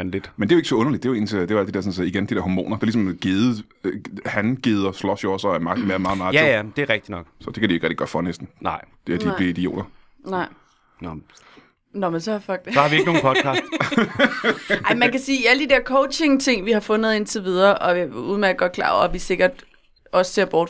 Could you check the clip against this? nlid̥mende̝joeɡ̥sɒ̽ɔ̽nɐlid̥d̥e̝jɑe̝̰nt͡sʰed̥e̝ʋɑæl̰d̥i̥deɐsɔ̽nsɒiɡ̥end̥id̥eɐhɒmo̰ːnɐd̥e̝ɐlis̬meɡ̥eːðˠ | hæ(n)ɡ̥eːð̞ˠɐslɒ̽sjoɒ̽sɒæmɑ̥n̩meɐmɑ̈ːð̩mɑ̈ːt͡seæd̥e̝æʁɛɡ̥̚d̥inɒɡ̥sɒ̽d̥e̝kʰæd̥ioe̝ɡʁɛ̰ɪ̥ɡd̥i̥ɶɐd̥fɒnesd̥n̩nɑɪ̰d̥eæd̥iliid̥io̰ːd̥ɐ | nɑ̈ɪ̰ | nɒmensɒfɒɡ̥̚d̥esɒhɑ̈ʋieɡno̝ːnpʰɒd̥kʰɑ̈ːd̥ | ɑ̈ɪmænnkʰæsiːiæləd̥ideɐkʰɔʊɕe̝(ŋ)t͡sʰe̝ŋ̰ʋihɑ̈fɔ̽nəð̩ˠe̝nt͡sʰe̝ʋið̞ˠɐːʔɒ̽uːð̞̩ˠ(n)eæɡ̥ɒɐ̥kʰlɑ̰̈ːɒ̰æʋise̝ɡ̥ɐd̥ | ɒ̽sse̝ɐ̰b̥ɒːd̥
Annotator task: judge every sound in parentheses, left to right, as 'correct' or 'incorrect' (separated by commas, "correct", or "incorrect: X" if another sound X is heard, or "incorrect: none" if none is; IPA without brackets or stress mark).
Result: correct, correct, incorrect: m